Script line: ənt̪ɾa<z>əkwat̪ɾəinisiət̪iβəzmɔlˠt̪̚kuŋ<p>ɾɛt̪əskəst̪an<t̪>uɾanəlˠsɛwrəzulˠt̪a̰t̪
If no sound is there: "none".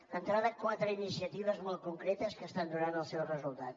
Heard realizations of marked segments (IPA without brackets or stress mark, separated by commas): ð, k, d̪